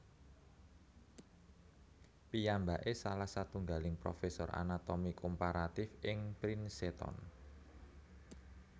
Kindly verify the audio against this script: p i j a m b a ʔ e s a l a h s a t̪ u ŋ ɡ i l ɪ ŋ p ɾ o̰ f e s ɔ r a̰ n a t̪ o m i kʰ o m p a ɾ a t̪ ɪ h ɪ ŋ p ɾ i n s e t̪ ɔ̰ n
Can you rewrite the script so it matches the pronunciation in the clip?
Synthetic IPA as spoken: p i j a m b a ʔ e s a l a h s a t̪ u ŋ ɡ a l ɪ ŋ p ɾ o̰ f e s ɔ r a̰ n a t̪ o m i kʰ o m p a ɾ a t̪ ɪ f ɪ ŋ p ɾ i n s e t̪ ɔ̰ n